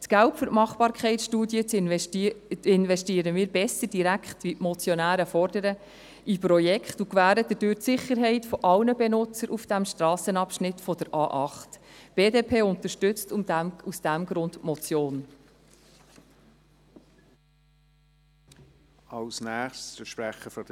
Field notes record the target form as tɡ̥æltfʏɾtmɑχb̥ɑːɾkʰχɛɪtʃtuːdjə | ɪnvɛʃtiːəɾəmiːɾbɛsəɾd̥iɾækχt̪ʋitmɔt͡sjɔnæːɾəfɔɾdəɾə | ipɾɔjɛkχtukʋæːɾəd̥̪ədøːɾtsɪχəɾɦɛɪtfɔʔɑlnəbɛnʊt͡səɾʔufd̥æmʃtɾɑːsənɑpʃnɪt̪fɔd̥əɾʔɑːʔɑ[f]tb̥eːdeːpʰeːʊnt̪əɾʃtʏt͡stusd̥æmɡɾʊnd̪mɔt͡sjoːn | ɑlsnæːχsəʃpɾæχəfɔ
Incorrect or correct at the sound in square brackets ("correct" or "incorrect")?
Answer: incorrect